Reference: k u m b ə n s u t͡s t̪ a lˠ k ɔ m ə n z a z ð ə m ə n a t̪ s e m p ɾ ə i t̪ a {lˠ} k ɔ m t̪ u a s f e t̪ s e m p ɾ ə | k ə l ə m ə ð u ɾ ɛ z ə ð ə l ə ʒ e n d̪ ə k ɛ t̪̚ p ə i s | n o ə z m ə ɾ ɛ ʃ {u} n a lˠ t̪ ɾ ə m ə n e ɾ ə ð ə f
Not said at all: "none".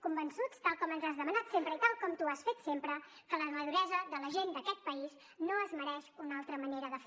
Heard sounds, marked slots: lˠ, u

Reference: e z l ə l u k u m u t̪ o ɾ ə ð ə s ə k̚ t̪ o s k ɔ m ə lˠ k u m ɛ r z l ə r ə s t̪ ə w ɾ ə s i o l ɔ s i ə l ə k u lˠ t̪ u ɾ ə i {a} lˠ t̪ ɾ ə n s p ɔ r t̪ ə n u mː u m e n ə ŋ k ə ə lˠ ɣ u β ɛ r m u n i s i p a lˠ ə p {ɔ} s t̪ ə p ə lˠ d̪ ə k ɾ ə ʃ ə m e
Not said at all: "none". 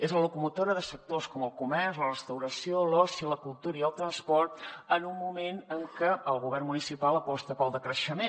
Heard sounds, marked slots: ə, ɔ

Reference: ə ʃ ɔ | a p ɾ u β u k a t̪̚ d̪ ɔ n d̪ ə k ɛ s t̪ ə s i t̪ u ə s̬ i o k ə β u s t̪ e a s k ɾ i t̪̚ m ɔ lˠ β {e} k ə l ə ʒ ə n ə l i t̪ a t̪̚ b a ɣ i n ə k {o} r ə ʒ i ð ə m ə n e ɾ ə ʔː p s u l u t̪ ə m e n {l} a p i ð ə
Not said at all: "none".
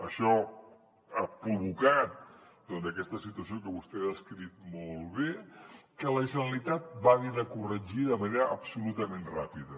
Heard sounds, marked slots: e, u, r

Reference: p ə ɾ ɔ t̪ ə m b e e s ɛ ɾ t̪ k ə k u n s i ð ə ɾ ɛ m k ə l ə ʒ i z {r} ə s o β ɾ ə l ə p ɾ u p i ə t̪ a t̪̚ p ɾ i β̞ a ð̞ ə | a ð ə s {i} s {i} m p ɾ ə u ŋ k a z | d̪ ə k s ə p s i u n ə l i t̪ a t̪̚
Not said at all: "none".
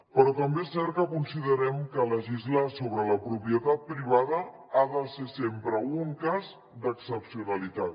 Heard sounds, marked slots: l, e, e

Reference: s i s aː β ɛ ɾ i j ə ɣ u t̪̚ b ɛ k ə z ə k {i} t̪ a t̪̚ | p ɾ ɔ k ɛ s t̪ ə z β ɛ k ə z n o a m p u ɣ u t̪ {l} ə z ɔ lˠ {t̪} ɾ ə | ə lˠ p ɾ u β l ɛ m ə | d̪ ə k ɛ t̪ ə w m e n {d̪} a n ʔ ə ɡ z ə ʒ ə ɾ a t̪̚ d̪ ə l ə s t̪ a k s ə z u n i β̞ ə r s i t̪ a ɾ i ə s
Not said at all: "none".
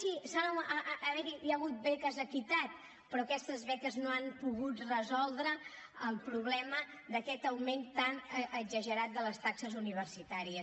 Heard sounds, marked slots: i, r, d̪, t̪

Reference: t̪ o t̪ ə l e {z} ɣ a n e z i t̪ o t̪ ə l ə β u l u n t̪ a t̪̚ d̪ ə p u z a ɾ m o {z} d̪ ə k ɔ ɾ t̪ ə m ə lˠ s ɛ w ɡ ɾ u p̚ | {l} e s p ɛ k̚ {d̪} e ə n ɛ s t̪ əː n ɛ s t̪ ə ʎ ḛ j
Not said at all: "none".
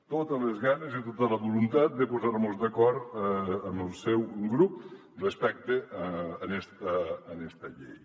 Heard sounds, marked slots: z, z, r, t̪

